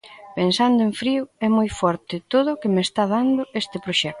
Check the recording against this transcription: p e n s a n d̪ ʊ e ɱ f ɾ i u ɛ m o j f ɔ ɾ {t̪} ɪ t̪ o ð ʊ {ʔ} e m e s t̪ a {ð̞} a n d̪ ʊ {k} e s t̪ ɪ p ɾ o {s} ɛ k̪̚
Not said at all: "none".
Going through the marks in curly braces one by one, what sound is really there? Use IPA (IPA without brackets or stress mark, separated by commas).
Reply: t̪, k, ð̞, none, ʃ